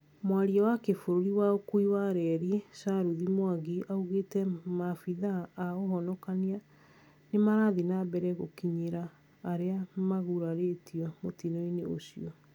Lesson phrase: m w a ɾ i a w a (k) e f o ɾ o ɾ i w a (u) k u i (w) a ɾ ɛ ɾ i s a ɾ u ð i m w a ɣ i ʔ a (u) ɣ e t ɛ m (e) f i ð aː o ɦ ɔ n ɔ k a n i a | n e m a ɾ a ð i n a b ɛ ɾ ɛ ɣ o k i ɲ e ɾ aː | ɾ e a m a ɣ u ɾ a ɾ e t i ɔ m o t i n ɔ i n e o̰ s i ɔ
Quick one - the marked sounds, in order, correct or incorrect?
correct, incorrect: o, correct, correct, incorrect: a

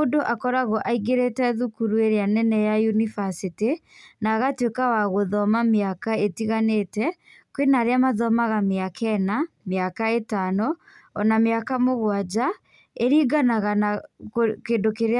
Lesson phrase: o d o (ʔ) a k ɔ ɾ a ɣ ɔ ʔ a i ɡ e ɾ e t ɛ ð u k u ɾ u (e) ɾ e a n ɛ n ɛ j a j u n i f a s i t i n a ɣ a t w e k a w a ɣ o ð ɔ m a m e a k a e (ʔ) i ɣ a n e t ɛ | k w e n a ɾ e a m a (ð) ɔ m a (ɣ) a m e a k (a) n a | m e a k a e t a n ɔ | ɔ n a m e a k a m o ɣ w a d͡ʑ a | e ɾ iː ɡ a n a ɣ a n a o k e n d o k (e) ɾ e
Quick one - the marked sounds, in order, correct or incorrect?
correct, correct, incorrect: t, correct, correct, incorrect: ɛ, correct

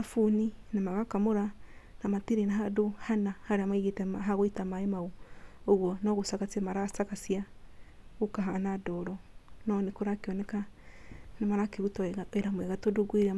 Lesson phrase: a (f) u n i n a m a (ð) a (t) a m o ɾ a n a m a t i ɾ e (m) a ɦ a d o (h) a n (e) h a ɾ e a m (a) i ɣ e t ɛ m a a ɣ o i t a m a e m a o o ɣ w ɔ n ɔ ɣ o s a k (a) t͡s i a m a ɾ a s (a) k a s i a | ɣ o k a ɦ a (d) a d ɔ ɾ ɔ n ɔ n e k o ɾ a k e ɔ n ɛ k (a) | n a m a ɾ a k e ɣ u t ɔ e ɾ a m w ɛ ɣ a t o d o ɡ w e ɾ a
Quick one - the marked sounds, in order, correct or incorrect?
correct, incorrect: ɣ, incorrect: k, incorrect: n, correct, incorrect: a, correct, correct, correct, incorrect: n, correct

